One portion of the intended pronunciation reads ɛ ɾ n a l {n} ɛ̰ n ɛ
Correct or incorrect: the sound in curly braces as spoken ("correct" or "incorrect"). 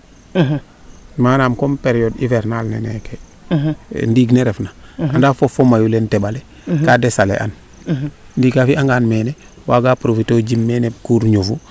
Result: correct